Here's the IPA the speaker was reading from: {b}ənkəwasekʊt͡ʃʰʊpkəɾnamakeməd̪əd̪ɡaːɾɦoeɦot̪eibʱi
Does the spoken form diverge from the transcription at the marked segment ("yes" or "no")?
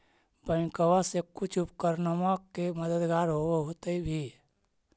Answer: no